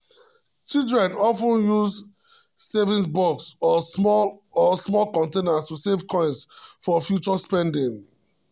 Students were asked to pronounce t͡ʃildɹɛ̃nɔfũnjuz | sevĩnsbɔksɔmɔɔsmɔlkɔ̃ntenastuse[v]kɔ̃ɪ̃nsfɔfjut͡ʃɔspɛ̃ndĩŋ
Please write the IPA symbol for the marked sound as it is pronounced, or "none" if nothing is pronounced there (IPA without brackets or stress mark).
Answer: v